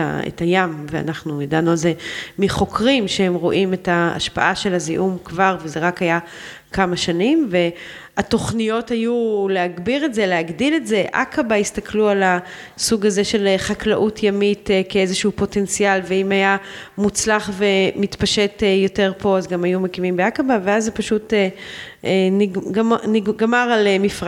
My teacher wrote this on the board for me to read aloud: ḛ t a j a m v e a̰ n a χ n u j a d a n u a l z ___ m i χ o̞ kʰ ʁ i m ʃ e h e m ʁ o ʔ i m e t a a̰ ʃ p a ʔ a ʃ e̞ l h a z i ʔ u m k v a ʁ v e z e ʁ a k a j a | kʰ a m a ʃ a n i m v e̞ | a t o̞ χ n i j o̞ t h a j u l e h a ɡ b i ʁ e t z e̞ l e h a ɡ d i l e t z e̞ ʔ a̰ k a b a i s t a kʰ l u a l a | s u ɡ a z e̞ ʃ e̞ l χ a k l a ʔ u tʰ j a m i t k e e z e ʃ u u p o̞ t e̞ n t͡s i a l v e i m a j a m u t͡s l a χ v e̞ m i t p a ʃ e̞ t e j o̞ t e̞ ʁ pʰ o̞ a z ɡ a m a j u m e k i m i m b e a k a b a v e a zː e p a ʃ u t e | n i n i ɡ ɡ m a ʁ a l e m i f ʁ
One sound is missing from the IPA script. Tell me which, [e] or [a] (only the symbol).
e